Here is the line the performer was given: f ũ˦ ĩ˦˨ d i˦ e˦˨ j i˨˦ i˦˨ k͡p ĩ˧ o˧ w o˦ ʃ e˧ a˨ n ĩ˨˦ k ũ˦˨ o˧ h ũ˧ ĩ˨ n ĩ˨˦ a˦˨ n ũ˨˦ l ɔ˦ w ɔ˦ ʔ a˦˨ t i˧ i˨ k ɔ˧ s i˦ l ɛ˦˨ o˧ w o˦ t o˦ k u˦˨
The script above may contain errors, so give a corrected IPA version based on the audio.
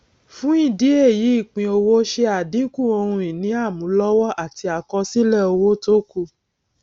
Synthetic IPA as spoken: f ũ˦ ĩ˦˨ d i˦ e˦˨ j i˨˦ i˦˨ k͡p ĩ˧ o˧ w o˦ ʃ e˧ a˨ d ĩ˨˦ k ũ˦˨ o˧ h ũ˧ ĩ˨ n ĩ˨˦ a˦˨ m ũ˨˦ l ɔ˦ w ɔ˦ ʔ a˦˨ t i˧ a˨ k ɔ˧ s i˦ l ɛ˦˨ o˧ w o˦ t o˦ k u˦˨